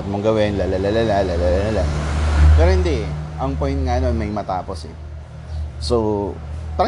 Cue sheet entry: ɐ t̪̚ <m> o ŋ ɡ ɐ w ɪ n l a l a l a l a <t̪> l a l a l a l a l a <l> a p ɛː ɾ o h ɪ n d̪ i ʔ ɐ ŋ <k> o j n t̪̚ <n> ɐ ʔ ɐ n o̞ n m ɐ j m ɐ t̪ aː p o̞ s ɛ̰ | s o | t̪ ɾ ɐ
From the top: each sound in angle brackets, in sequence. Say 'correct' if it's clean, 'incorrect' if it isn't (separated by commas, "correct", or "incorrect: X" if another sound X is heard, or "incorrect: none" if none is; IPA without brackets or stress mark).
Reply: correct, incorrect: none, correct, incorrect: p, incorrect: ŋ